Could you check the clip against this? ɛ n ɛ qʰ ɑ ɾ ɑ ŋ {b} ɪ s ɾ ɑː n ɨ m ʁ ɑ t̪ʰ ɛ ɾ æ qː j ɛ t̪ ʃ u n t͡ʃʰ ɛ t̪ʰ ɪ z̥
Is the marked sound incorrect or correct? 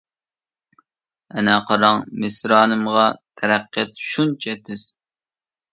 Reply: incorrect: m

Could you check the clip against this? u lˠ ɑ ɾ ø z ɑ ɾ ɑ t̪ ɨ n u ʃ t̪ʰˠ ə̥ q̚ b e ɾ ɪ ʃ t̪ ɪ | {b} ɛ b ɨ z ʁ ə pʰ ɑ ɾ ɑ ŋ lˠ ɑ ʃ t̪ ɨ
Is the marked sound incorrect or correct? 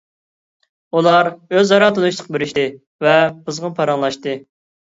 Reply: incorrect: v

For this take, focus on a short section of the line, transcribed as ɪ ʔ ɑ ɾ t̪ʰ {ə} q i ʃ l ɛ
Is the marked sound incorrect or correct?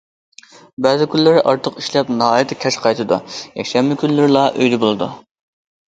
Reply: correct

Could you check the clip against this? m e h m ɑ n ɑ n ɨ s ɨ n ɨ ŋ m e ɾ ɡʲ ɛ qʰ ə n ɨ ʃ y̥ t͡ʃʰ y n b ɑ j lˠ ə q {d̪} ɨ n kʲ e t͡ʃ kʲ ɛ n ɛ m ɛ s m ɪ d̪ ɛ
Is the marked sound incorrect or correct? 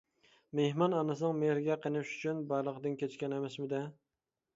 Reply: correct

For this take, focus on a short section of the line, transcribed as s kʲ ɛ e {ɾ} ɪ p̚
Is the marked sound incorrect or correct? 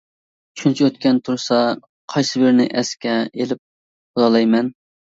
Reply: incorrect: l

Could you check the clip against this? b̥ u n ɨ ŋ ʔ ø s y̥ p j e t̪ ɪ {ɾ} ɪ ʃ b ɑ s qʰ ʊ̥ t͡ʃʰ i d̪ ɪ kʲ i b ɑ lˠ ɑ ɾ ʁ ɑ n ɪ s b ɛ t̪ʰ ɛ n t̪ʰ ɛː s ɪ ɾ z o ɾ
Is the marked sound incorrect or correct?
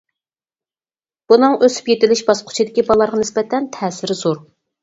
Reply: incorrect: l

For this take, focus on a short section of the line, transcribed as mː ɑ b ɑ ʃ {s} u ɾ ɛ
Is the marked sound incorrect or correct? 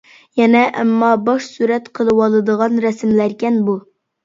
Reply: correct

